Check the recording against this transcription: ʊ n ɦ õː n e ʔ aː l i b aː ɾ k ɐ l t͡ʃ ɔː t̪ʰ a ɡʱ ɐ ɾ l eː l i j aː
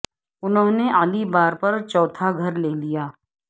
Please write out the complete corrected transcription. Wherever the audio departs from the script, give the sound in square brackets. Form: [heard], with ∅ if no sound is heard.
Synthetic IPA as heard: ʊ n ɦ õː n e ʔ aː l i b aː ɾ [p] ɐ [ɾ] t͡ʃ ɔː t̪ʰ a ɡʱ ɐ ɾ l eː l i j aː

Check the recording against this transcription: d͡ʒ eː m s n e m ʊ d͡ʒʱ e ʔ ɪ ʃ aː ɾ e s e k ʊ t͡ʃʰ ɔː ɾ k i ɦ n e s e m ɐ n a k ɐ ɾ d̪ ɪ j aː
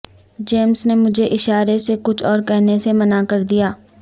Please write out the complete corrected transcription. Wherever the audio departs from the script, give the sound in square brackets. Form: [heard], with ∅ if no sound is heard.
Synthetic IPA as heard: d͡ʒ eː m s n e m ʊ d͡ʒʱ e ʔ ɪ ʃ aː ɾ e s e k ʊ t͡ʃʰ ɔː ɾ k [ɛ] ɦ n e s e m ɐ n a k ɐ ɾ d̪ [i] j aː

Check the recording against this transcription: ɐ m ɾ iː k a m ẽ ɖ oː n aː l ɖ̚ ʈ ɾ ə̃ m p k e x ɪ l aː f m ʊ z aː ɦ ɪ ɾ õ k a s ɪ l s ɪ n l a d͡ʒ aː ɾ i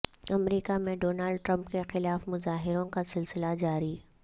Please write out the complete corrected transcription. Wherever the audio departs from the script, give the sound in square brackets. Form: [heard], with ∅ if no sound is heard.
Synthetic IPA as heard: ɐ m ɾ iː k a m ẽ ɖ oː n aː l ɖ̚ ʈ ɾ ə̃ m p k e x ɪ l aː f m ʊ z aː ɦ ɪ ɾ õ k a s ɪ l s ɪ [∅] l a d͡ʒ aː ɾ i

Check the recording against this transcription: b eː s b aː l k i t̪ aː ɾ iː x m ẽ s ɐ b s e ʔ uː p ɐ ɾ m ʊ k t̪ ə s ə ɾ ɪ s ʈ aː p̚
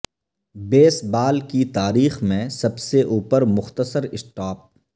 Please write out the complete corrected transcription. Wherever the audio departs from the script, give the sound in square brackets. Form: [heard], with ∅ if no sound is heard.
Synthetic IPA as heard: b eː s b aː l k i t̪ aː ɾ iː x m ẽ s ɐ b s e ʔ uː p [ə] ɾ m ʊ [x] t̪ ə s ə ɾ ɪ s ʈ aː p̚

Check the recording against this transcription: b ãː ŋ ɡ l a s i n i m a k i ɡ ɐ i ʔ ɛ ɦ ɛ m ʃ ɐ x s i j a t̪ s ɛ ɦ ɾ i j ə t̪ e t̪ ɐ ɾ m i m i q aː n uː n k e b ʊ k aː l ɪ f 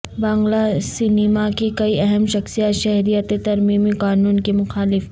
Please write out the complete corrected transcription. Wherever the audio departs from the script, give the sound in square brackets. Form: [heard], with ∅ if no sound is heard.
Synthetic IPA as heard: b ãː ŋ ɡ l a s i n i m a k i [k] ɐ i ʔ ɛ ɦ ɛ m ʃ ɐ x s i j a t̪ [ʃ] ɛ ɦ ɾ i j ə t̪ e t̪ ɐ ɾ m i m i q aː n uː n k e [m] ʊ [x] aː l ɪ f

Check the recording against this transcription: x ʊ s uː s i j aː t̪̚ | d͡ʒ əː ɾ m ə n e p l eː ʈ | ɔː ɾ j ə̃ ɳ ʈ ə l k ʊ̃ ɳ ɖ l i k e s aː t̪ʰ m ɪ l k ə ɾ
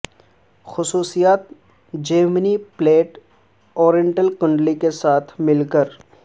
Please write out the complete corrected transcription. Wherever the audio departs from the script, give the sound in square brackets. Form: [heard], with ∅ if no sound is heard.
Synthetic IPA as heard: x ʊ s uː s i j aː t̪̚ | d͡ʒ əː ɾ m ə n [i] p l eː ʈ | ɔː ɾ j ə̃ ɳ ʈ ə l k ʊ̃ ɳ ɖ l i k e s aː t̪ʰ m ɪ l k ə ɾ

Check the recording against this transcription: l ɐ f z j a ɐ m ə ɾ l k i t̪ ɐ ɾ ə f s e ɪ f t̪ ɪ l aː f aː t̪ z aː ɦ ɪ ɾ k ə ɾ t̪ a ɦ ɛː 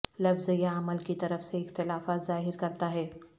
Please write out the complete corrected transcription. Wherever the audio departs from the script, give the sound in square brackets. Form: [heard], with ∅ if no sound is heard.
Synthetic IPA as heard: l ɐ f z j a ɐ m ə [∅] l k i t̪ ɐ ɾ ə f s e ɪ [x] t̪ ɪ l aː f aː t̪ z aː ɦ ɪ ɾ k [ɐ] ɾ t̪ a ɦ ɛː

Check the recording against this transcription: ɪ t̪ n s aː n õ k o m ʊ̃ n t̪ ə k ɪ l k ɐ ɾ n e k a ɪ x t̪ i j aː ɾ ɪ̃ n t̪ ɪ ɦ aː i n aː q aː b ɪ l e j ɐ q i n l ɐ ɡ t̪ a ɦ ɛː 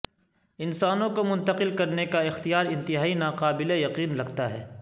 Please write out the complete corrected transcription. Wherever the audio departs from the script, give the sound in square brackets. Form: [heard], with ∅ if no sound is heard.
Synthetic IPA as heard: ɪ [∅] n s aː n õ k o m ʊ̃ n t̪ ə [q] ɪ l k ɐ ɾ n e k a ɪ x t̪ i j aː ɾ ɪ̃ n t̪ ɪ ɦ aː i n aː q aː b ɪ l e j ɐ q [iː] n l ɐ ɡ t̪ a ɦ ɛː

